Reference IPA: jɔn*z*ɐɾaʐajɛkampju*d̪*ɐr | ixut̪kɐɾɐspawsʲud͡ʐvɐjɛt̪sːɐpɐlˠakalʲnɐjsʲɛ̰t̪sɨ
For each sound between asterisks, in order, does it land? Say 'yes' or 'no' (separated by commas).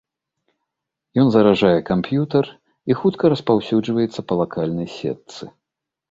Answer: yes, no